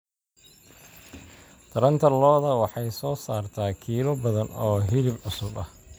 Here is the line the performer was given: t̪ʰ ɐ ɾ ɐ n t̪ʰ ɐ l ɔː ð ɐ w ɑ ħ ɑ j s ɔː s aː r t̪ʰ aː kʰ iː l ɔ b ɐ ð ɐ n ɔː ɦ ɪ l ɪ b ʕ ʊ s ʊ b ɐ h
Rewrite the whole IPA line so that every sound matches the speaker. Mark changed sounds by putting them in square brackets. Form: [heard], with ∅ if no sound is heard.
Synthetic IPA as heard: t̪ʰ ɐ ɾ ɐ n t̪ʰ ɐ l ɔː ð ɐ w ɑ ħ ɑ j s ɔː s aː r t̪ʰ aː kʰ iː l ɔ b ɐ ð ɐ n ɔː ɦ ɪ l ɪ b ʕ ʊ s ʊ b ɐ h